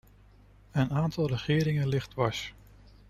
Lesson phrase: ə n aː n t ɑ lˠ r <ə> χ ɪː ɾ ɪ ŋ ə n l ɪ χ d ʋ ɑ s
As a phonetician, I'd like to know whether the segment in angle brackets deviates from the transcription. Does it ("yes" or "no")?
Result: no